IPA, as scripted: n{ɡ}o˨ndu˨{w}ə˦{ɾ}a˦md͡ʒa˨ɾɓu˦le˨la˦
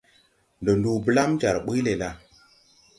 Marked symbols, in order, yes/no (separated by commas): no, no, no